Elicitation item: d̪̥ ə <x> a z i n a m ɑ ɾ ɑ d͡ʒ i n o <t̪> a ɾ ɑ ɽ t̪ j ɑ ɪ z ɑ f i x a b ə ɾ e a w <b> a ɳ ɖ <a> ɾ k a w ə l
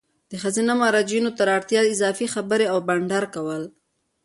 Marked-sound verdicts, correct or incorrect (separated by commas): correct, correct, correct, correct